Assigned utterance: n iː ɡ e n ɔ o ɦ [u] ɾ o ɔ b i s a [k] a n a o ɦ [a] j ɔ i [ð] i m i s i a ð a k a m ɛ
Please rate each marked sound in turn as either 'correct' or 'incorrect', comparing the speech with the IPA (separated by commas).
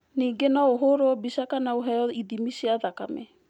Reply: incorrect, correct, incorrect, correct